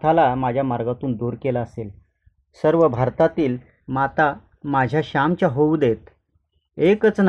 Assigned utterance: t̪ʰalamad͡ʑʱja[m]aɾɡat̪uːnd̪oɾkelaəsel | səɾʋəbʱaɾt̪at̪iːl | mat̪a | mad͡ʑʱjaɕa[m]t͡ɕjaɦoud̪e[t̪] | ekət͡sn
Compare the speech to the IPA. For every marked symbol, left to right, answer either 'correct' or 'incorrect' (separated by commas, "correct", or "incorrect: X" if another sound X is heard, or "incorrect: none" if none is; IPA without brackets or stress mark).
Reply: correct, correct, correct